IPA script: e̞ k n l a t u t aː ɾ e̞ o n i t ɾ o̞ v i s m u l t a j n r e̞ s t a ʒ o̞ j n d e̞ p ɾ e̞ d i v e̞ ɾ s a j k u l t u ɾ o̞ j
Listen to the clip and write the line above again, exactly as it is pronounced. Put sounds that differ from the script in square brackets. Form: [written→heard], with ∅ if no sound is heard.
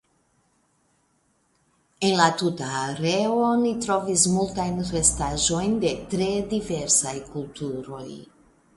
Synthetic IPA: e̞ [k→∅] n l a t u t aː ɾ e̞ o n i t ɾ o̞ v i s m u l t a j n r e̞ s t a ʒ o̞ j n d e̞ [p→t] ɾ e̞ d i v e̞ ɾ s a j k u l t u ɾ o̞ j